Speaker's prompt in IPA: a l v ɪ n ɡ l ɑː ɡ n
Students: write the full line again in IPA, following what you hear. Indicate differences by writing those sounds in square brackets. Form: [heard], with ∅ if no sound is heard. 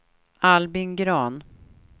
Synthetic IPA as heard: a l [b] ɪ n ɡ [ɾ] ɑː [∅] n